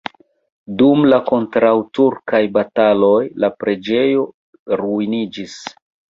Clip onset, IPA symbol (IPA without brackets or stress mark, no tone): d